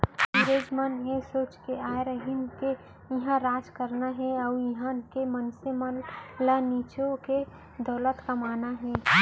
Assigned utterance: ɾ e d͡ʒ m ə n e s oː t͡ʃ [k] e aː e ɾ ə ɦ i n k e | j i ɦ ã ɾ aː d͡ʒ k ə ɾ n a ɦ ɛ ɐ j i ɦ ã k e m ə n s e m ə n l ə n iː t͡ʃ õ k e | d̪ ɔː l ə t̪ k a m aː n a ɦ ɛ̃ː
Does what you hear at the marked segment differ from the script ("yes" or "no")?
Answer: no